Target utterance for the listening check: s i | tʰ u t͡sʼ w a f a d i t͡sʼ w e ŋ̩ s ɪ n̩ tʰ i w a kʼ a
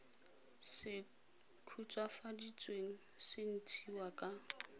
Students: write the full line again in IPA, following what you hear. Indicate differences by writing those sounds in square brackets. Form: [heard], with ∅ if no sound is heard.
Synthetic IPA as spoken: s [ɪ] | [kʰ] u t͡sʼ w a f a d i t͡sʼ w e ŋ̩ s ɪ n̩ tʰ i w a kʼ a